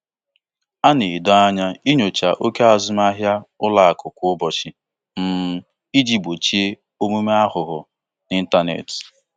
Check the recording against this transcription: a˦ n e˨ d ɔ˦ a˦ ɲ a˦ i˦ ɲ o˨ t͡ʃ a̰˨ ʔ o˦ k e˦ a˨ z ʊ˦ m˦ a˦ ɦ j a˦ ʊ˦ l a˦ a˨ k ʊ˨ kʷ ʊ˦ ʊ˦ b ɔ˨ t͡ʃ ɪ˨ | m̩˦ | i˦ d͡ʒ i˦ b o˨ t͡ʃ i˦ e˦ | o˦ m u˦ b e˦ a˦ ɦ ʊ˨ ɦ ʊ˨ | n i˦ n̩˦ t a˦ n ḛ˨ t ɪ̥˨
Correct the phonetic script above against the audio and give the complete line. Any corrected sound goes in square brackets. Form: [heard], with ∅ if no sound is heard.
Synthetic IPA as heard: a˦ n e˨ d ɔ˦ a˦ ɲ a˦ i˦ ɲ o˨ t͡ʃ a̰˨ ʔ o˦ k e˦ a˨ z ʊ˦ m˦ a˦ ɦ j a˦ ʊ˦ l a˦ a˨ k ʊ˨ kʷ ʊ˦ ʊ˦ b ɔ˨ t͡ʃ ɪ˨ | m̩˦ | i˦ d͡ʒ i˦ b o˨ t͡ʃ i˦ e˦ | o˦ m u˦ [m] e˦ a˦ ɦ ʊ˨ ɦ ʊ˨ | n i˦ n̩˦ t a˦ n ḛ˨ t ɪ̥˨